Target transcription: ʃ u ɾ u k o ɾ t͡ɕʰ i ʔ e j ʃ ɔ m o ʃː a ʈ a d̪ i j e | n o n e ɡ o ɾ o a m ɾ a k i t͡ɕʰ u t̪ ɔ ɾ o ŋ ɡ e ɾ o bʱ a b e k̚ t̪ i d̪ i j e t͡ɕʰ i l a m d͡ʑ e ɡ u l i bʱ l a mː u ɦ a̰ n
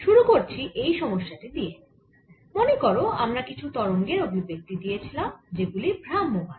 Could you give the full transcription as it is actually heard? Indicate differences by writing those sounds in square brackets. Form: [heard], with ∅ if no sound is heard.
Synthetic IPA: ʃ u ɾ u k o ɾ t͡ɕʰ i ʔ e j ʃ ɔ m o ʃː a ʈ [i] d̪ i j e | [m] o n e [k] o ɾ o a m ɾ a k i t͡ɕʰ u t̪ ɔ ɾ o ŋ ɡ e ɾ o bʱ [i] b e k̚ t̪ i d̪ i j e t͡ɕʰ i l a m d͡ʑ e ɡ u l i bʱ [ɾ] a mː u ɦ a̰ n